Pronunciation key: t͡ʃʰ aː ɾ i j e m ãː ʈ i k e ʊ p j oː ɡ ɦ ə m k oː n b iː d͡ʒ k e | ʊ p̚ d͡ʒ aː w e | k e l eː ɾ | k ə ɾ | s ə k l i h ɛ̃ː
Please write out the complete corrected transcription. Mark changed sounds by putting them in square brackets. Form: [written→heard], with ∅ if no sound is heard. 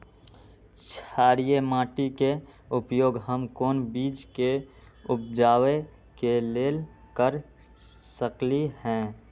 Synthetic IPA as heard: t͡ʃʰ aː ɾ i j e m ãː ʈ i k e ʊ p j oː ɡ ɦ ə m k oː n b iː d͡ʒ k e | ʊ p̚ d͡ʒ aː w e | k e l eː [ɾ→l] | k ə ɾ | s ə k l i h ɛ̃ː